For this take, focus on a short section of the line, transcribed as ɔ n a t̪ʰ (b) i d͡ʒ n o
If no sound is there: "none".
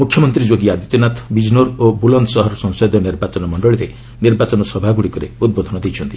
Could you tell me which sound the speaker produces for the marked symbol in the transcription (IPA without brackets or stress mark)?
b